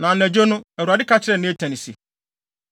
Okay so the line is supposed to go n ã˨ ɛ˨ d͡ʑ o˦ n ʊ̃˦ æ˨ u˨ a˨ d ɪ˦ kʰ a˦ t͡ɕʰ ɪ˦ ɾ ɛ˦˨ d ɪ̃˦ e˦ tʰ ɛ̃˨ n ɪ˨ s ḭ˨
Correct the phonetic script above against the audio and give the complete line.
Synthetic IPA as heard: n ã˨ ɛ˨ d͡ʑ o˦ n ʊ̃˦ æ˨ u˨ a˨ d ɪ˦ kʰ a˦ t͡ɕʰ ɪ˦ ɾ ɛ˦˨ n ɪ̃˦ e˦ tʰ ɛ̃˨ n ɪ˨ s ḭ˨